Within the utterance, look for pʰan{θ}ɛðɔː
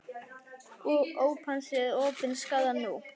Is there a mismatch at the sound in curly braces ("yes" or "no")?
yes